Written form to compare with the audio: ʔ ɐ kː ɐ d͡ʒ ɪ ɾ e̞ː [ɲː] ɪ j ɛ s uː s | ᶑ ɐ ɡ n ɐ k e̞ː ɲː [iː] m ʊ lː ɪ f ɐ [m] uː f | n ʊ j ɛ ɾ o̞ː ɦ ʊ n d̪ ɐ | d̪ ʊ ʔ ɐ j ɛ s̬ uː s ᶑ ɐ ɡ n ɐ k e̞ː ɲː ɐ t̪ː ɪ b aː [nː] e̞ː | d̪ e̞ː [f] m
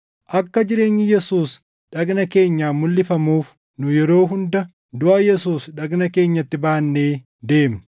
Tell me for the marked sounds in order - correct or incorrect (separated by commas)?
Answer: correct, incorrect, correct, correct, incorrect